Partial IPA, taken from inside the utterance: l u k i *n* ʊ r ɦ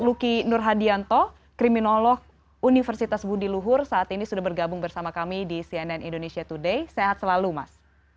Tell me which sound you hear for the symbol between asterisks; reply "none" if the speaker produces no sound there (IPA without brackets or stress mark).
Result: n